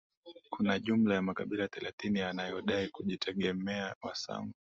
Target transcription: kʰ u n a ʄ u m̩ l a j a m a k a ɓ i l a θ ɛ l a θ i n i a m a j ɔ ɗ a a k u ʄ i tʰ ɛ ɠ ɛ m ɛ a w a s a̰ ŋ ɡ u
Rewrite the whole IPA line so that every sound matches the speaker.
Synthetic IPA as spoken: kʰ u n a ʄ u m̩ l a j a m a k a ɓ i l a θ ɛ l a θ i n i a n a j ɔ ɗ a i k u ʄ i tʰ ɛ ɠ ɛ m ɛ a w a s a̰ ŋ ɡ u

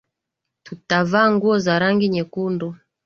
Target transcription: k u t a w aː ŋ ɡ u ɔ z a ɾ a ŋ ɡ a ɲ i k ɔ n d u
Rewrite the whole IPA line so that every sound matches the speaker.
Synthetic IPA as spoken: t u t a v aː ŋ ɡ u ɔ z a ɾ a ŋ ɡ i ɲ ɛ k u n d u

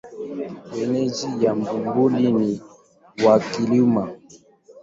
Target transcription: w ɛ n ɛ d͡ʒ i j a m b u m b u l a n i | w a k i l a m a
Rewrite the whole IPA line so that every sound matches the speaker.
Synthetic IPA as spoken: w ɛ n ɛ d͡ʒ i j a m b u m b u l i n i | w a k i l i m a

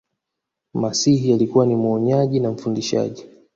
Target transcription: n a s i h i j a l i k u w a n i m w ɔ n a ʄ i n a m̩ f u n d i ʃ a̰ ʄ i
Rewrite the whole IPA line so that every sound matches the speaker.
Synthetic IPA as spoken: m a s i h i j a l i k u w a n i m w ɔ ɲ a ʄ i n a m̩ f u n d i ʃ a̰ ʄ i

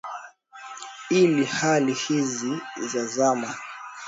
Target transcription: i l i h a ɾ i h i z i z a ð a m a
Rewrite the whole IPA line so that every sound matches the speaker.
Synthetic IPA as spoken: i l i h a l i h i z i z a z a m a

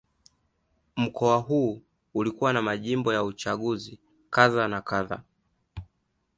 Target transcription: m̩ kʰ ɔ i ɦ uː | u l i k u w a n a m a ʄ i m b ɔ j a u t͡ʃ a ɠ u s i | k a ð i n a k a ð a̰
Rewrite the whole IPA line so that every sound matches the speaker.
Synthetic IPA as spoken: m̩ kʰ ɔ a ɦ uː | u l i k u w a n a m a ʄ i m b ɔ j a u t͡ʃ a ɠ u z i | k a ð a n a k a ð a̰

